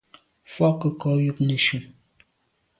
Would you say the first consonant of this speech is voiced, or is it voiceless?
voiceless